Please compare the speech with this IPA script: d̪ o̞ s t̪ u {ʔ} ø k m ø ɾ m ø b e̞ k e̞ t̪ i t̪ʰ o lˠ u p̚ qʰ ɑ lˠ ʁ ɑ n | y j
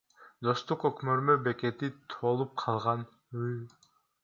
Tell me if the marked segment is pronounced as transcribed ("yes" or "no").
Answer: no